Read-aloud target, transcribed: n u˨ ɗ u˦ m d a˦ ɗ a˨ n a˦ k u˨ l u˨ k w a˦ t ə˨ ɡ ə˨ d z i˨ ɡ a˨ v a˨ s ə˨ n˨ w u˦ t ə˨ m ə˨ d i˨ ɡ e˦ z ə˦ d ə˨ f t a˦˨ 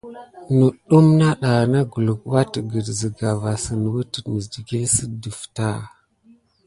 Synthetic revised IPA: n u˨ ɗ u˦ m n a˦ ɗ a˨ n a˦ ɡ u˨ l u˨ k w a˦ t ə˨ ɡ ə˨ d z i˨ ɡ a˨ v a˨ s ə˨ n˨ w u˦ t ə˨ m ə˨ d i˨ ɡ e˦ s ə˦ d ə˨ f t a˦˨